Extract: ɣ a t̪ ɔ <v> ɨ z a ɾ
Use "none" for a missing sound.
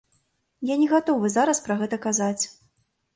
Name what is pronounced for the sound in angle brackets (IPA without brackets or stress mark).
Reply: v